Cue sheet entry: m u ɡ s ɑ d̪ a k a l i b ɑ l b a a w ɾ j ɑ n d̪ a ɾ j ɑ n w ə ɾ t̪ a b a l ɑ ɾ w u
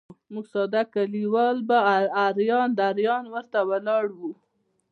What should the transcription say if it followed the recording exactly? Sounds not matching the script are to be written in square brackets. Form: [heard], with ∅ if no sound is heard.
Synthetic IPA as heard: m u ɡ s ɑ d̪ a k a l i [w] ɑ l b a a [∅] ɾ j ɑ n d̪ a ɾ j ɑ n w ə ɾ t̪ a [w] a l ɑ [ɽ] w u

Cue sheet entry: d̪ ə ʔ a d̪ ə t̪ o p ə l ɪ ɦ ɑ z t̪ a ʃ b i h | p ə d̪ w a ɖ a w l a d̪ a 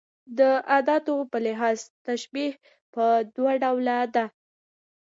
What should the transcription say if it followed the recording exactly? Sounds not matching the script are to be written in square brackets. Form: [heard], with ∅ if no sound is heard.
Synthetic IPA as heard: d̪ ə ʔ a d̪ [ɑ] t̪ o p ə l ɪ ɦ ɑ z t̪ a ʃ b i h | p ə d̪ w a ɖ a w l a d̪ a

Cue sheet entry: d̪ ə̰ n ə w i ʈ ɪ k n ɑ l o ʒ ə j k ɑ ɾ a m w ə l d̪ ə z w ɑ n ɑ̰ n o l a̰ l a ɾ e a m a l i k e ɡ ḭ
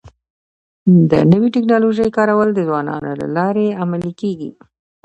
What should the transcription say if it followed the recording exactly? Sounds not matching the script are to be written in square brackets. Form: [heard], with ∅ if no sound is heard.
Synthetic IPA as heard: d̪ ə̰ n ə w i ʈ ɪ k n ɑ l o ʒ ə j k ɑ ɾ a [∅] w ə l d̪ ə z w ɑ n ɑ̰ n o l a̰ l [ɑ] ɾ e a m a l i k e ɡ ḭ

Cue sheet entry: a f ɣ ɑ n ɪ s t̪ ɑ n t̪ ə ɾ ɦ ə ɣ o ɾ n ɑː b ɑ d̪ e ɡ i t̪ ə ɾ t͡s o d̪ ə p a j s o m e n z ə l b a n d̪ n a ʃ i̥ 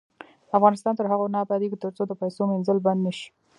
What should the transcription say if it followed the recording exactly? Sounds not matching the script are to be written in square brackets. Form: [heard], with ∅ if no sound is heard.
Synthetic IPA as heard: a f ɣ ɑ n ɪ s t̪ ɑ n t̪ ə ɾ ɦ [a] ɣ o [∅] n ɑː b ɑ d̪ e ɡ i t̪ ə ɾ t͡s o d̪ ə p a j s o m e n z ə l b a n d̪ n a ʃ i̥

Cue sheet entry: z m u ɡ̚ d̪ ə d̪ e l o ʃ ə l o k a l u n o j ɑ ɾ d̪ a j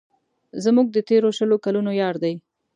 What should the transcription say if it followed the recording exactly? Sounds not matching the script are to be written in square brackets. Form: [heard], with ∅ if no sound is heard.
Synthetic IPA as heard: z m u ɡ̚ d̪ ə [t̪] e [ɾ] o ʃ ə l o k a l u n o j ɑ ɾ d̪ a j

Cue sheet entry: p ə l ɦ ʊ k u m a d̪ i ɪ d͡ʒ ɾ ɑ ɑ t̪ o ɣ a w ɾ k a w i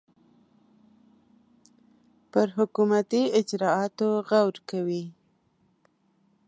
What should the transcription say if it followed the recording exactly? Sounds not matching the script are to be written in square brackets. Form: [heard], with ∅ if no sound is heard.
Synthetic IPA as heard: p ə [ɾ] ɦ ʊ k u m a [t̪] i ɪ d͡ʒ ɾ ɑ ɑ t̪ o ɣ a w ɾ k a w i

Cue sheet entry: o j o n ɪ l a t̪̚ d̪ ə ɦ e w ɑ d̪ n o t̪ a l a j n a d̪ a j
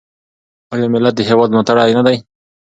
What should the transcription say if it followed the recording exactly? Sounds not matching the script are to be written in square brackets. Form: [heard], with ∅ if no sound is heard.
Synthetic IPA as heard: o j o [m] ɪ l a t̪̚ d̪ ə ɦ e w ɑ d̪ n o t̪ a [ɽ] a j n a d̪ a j

